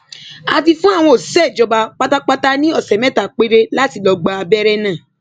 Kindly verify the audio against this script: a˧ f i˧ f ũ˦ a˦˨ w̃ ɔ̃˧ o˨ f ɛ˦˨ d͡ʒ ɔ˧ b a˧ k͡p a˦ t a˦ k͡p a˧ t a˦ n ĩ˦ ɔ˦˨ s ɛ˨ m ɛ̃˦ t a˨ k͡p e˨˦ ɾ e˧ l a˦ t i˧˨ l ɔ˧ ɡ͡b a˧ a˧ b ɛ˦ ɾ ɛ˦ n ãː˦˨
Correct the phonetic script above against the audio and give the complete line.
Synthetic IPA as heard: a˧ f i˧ f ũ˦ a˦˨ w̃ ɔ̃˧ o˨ s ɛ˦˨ d͡ʒ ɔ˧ b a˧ k͡p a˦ t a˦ k͡p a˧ t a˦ n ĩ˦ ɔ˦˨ s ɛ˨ m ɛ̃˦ t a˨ k͡p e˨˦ ɾ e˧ l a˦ t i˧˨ l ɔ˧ ɡ͡b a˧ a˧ b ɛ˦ ɾ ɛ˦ n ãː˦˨